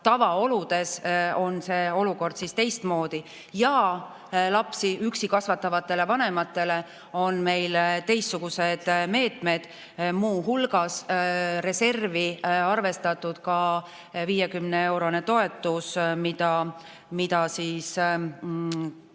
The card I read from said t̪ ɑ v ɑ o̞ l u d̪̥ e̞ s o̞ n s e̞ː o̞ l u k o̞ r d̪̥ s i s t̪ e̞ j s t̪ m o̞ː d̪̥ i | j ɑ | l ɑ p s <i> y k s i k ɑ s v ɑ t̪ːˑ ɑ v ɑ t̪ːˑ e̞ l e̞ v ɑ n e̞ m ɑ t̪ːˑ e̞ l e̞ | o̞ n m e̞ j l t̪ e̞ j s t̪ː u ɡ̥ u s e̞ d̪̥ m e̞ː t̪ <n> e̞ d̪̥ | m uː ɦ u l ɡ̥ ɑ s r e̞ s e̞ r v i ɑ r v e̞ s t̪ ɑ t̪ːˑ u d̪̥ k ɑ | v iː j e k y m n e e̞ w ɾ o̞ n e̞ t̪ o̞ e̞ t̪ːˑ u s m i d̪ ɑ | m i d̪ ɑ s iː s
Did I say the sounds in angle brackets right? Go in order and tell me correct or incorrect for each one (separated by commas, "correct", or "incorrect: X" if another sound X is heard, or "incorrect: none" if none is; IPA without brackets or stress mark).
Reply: correct, incorrect: m